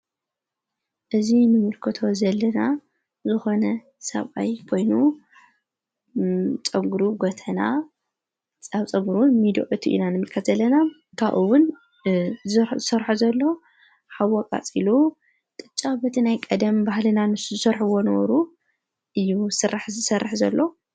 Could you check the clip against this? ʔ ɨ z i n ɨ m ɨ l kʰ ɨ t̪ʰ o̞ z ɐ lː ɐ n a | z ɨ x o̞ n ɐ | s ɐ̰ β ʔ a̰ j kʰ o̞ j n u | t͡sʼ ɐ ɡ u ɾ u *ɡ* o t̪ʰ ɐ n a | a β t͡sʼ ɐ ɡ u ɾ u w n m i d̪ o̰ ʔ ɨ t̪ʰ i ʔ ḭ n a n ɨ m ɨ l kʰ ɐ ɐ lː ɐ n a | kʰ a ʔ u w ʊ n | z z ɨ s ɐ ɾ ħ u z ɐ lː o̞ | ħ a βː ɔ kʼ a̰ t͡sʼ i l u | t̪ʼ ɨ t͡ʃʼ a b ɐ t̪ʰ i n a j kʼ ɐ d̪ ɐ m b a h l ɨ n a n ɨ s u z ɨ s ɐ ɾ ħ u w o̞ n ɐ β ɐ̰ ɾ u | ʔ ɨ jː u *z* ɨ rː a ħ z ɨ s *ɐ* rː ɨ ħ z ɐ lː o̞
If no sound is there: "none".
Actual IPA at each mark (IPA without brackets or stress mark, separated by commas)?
ɡ, s, ɐ